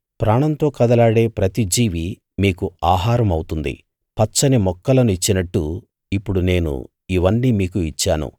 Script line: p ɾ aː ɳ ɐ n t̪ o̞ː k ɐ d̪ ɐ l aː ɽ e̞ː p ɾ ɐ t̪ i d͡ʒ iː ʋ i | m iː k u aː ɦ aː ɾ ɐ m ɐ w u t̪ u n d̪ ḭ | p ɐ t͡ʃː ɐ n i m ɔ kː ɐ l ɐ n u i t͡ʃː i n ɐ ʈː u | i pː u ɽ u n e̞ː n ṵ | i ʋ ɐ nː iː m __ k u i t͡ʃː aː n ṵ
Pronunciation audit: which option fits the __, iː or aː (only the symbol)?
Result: iː